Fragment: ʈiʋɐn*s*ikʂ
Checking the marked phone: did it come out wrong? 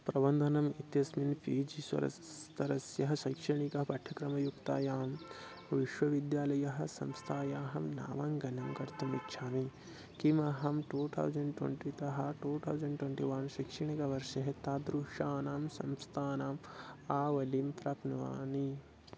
yes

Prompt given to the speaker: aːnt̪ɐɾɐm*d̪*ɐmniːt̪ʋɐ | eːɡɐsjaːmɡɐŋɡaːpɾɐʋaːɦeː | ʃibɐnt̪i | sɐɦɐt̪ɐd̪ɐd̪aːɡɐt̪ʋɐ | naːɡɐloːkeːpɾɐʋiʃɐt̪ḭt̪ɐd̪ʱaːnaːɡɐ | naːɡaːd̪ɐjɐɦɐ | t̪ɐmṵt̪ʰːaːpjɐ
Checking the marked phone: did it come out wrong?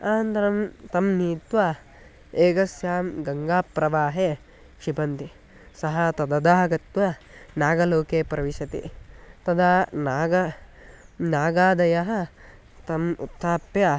yes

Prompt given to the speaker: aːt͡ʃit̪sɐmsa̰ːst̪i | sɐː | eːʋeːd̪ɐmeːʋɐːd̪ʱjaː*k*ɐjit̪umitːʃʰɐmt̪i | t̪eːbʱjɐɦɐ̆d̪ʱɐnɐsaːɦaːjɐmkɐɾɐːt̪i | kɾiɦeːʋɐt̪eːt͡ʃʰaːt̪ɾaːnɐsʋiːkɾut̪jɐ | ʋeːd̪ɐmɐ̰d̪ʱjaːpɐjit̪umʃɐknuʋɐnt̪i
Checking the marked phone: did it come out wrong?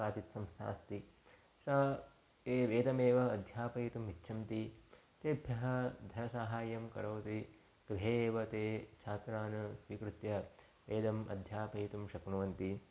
yes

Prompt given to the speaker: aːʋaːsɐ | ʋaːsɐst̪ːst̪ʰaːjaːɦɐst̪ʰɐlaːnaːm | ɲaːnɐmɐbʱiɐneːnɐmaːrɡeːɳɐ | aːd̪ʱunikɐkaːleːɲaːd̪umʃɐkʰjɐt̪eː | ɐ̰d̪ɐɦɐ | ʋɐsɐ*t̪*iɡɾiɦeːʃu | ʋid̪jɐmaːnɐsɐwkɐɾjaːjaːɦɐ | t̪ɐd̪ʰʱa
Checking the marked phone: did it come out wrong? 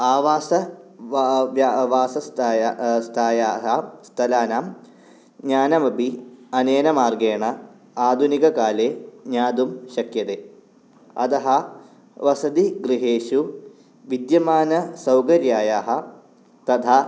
yes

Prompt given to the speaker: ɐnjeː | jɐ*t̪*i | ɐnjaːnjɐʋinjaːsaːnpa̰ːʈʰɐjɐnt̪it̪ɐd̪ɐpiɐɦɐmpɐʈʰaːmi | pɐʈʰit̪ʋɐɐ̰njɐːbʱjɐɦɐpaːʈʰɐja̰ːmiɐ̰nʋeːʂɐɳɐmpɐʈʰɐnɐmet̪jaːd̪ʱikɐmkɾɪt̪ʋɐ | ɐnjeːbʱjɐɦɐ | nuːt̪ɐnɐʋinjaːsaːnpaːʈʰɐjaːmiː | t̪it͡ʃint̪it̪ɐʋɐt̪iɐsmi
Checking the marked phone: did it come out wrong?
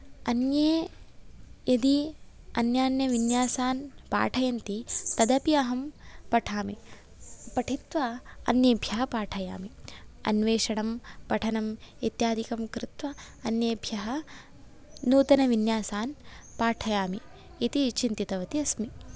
yes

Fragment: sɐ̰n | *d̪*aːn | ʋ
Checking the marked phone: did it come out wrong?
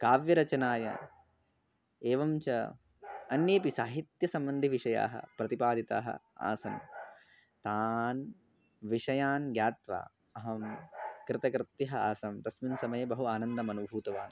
yes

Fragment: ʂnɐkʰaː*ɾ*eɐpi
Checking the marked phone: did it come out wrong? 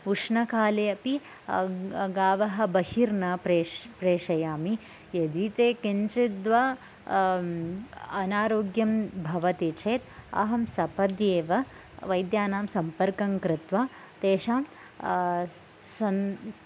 yes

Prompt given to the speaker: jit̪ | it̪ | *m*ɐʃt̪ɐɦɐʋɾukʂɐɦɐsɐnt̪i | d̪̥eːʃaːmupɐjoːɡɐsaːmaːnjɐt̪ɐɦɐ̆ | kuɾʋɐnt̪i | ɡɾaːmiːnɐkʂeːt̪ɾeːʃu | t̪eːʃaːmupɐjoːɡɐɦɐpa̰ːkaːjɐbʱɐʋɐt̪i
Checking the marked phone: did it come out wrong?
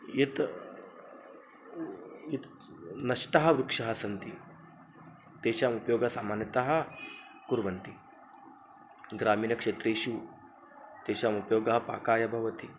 yes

